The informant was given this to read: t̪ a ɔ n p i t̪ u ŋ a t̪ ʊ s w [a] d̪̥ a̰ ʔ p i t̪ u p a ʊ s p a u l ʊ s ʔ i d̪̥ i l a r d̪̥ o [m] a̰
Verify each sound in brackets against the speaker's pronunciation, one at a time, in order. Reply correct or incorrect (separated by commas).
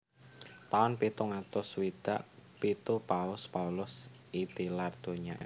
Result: incorrect, incorrect